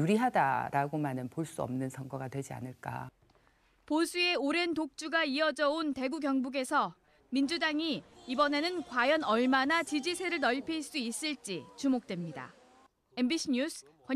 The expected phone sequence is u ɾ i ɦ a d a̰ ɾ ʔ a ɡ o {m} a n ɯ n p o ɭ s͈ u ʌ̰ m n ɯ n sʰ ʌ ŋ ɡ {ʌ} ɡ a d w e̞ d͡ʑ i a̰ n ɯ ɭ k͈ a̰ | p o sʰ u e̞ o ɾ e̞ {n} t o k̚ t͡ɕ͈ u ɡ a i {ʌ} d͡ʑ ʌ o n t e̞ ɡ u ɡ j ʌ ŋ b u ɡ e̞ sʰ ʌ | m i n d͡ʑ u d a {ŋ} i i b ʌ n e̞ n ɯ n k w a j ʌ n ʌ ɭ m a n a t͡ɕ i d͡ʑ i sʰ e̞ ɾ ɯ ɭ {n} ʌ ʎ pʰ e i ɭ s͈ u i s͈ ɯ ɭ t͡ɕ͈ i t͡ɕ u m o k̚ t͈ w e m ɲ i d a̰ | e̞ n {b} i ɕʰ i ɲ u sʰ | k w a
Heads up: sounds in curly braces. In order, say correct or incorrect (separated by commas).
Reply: correct, correct, correct, correct, correct, correct, correct